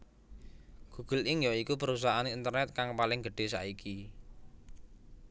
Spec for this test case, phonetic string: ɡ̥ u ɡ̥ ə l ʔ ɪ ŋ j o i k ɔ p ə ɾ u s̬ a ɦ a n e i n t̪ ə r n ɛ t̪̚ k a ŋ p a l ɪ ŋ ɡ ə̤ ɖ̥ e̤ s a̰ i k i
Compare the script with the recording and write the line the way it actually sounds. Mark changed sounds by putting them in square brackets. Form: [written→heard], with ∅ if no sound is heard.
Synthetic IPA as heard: ɡ̥ u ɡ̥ ə l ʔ ɪ ŋ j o i k [ɔ→u] p ə ɾ u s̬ a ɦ a n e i n t̪ ə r n ɛ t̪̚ k a ŋ p a l ɪ ŋ ɡ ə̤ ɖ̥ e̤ s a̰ i k i